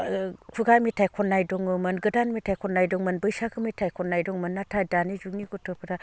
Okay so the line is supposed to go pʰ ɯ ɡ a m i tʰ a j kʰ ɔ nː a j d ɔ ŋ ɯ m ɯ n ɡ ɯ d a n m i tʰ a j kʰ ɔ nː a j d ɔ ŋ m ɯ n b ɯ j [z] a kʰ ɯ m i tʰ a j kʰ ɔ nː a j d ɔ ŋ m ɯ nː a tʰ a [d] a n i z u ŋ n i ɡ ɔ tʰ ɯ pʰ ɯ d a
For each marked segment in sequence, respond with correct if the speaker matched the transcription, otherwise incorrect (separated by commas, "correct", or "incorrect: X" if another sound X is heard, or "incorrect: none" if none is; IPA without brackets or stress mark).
incorrect: s, correct